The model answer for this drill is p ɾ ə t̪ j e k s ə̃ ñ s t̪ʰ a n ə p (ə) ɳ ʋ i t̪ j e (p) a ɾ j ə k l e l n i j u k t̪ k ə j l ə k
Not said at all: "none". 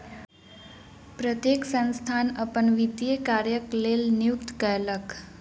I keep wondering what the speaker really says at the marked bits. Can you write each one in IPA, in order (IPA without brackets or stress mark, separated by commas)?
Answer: ə, k